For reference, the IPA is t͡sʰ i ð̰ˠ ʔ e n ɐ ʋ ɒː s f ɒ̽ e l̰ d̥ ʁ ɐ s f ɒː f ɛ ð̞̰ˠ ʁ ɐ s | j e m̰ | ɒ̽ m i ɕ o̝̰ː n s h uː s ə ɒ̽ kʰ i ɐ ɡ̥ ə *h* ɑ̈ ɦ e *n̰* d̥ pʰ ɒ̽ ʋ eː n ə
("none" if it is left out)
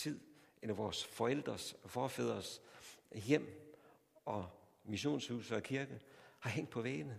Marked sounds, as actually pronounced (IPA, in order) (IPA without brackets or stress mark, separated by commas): h, ŋ̰